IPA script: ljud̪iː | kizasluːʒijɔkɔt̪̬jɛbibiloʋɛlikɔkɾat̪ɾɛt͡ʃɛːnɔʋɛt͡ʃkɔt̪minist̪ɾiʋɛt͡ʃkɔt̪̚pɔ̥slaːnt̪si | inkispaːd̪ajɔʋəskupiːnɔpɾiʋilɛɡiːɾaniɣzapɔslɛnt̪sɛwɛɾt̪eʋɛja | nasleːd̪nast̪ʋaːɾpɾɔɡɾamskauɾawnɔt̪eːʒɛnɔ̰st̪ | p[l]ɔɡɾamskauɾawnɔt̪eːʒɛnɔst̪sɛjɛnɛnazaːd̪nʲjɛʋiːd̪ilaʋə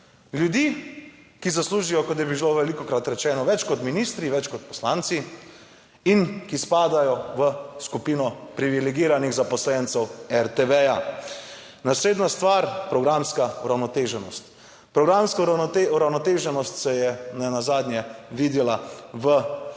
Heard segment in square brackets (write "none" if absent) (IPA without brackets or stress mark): ɾ